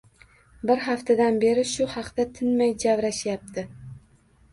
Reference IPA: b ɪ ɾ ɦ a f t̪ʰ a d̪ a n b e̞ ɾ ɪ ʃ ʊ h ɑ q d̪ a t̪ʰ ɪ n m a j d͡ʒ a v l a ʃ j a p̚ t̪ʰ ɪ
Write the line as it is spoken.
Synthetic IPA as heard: b ɪ ɾ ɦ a f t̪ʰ a d̪ a n b e̞ ɾ ɪ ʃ ʊ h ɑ q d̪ a t̪ʰ ɪ n m a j d͡ʒ a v ɾ a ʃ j a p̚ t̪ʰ ɪ